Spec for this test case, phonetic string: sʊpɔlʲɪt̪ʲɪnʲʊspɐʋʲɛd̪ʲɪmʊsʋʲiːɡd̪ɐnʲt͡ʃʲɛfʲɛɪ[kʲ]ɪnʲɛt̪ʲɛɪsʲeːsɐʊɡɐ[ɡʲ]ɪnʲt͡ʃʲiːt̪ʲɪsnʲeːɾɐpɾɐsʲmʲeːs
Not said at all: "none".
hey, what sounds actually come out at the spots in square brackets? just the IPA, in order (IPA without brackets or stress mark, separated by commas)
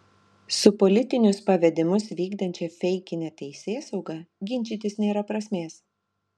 kʲ, ɡʲ